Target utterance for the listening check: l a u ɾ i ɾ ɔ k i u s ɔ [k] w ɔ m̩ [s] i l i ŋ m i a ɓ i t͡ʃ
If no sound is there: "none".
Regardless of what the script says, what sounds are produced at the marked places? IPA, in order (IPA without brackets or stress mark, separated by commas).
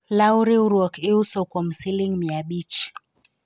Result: k, s